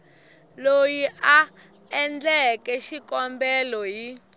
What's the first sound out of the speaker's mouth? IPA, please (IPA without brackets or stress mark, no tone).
l